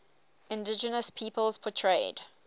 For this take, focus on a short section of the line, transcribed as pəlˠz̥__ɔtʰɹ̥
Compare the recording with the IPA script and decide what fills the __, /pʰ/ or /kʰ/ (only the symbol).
pʰ